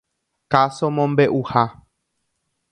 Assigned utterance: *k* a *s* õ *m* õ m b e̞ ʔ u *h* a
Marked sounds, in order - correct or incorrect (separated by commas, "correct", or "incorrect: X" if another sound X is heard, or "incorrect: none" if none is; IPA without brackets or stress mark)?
correct, correct, correct, correct